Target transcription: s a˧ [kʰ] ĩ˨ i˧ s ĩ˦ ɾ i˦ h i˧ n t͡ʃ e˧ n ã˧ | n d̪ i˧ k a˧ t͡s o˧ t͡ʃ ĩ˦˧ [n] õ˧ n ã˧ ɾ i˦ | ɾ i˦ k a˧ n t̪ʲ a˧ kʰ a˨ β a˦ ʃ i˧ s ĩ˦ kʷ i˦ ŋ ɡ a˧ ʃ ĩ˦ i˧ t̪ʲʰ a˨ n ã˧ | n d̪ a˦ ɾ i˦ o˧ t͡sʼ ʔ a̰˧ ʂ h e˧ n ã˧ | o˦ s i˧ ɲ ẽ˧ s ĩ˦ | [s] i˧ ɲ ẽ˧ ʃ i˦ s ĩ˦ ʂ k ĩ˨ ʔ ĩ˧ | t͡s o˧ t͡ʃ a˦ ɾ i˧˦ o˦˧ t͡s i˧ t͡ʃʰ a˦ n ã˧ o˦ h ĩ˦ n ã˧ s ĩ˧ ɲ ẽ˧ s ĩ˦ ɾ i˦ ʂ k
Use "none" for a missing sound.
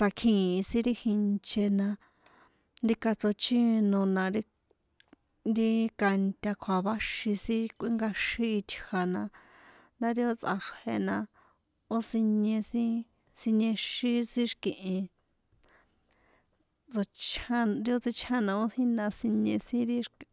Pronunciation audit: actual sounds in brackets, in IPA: kʰ, n, s

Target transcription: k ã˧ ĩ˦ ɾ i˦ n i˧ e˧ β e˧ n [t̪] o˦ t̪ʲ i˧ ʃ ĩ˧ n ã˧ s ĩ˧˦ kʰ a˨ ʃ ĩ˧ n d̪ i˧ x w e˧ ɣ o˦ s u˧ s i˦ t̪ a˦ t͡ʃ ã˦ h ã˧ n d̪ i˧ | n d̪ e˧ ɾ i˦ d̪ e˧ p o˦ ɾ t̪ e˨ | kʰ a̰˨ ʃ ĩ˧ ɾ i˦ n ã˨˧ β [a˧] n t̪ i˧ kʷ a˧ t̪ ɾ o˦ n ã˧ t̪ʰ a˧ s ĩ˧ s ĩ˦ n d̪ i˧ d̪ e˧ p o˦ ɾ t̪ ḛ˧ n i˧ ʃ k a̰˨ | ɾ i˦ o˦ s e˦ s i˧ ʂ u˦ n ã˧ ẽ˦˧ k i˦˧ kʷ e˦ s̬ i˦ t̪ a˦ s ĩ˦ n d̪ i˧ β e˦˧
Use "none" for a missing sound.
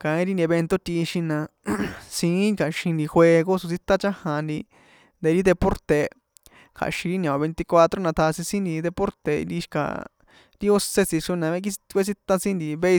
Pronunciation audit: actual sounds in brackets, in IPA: t̪, e˧

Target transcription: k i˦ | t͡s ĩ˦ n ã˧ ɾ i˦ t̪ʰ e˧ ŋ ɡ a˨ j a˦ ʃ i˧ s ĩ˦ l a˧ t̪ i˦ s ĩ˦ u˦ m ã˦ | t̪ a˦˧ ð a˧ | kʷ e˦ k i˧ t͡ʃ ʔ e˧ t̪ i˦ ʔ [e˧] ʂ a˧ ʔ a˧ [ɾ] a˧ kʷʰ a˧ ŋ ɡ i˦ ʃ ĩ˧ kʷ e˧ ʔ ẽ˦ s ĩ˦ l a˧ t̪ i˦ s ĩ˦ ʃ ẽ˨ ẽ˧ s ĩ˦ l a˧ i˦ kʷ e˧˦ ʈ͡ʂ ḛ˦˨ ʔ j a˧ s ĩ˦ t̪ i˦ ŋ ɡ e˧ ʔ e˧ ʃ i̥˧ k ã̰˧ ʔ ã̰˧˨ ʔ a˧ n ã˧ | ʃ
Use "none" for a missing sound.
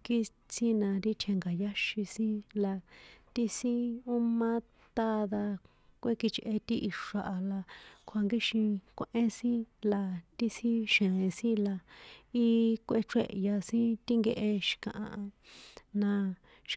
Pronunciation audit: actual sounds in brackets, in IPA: i˧, l

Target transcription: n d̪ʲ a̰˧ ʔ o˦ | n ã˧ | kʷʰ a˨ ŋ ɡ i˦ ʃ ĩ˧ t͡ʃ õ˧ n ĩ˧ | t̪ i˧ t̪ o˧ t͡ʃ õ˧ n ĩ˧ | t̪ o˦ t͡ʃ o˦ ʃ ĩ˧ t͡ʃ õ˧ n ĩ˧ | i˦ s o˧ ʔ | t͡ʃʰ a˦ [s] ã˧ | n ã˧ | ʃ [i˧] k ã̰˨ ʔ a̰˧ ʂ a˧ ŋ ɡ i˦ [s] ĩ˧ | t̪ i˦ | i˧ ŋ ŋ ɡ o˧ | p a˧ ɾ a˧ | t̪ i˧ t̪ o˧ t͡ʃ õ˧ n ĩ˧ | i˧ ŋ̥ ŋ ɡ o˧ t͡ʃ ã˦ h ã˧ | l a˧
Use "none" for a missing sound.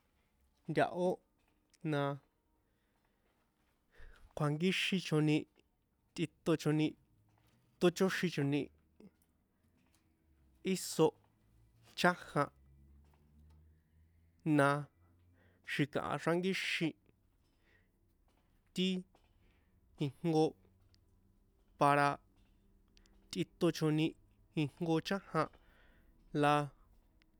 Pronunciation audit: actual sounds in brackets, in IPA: h, i˧, ʃ

